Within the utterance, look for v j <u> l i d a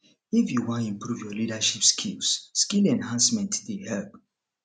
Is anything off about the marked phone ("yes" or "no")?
yes